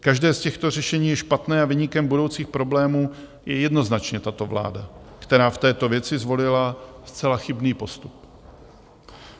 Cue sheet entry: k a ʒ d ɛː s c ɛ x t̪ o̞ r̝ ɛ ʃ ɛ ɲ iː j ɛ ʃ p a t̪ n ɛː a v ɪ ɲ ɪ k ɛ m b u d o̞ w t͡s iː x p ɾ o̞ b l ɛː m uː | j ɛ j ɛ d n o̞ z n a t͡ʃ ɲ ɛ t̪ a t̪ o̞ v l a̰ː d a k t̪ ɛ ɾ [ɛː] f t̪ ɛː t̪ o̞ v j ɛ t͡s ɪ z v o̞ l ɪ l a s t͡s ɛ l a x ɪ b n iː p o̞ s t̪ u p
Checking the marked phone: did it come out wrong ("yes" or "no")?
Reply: yes